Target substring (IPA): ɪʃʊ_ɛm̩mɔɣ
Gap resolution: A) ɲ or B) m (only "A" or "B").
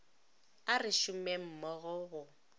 B